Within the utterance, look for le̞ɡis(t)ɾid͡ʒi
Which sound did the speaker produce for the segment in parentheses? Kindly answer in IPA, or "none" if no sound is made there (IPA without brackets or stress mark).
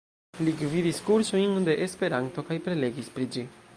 p